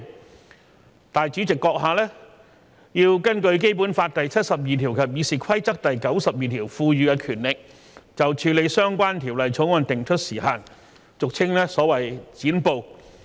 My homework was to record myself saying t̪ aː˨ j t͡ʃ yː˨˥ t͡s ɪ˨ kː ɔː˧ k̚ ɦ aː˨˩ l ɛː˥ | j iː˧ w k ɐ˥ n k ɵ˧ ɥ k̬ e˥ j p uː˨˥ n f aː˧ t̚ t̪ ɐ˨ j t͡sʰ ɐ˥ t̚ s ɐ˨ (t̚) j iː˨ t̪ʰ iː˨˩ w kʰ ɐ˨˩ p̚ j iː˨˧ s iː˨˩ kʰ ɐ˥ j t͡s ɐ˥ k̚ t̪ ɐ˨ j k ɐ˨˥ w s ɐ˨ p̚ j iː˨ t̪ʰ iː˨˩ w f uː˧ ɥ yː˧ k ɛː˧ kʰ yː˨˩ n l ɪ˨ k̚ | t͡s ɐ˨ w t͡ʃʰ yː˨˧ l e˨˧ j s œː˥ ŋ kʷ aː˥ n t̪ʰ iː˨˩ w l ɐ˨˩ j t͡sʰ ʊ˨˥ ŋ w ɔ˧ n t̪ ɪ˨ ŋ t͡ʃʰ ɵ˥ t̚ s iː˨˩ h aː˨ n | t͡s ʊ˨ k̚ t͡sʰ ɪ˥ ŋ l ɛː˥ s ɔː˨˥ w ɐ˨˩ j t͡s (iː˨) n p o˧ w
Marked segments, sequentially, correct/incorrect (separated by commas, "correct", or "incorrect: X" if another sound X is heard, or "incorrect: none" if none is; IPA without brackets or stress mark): incorrect: p̚, incorrect: iː˨˥